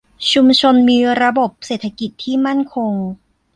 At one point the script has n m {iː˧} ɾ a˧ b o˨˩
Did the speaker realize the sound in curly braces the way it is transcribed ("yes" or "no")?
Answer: yes